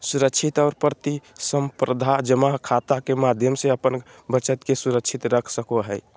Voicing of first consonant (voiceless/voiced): voiceless